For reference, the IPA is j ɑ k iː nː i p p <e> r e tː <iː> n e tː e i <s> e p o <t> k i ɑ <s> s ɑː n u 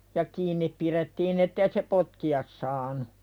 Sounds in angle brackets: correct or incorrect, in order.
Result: incorrect, correct, correct, correct, correct

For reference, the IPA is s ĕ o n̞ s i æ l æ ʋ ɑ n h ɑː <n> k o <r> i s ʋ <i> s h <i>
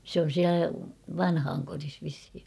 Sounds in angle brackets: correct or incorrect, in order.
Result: incorrect, correct, correct, correct

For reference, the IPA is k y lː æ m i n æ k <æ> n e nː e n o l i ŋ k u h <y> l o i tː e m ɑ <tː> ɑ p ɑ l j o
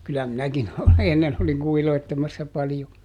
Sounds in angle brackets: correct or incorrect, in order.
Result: incorrect, incorrect, incorrect

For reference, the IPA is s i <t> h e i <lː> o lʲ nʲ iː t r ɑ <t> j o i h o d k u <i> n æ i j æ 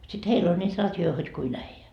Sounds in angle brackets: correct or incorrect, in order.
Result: correct, incorrect, correct, correct

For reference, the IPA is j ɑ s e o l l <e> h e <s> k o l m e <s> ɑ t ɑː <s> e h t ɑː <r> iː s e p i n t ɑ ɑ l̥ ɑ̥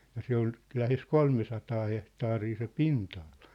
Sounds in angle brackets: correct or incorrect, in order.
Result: incorrect, correct, correct, incorrect, correct

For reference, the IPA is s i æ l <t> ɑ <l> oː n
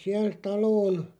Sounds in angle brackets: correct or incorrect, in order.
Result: correct, correct

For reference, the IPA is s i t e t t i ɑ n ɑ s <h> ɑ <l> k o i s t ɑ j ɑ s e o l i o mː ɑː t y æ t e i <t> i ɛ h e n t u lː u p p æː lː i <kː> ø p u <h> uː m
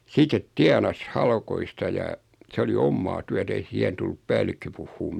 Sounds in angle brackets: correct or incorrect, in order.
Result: correct, correct, incorrect, correct, incorrect

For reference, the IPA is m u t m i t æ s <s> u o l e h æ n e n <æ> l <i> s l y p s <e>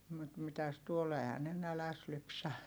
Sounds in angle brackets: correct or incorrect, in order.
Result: incorrect, correct, incorrect, incorrect

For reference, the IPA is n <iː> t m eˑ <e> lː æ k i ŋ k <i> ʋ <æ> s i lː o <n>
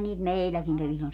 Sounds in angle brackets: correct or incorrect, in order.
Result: correct, incorrect, incorrect, incorrect, correct

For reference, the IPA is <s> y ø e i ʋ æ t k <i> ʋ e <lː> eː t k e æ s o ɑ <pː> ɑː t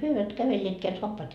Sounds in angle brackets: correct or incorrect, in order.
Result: incorrect, incorrect, correct, correct

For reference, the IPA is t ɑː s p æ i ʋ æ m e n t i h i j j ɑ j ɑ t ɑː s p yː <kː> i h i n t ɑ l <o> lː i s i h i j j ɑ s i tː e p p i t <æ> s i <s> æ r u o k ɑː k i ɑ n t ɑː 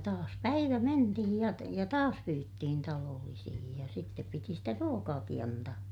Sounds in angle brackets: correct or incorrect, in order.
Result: incorrect, incorrect, incorrect, incorrect

